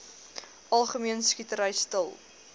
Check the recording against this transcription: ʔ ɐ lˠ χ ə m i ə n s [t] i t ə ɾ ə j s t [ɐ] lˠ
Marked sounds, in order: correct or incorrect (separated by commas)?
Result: incorrect, incorrect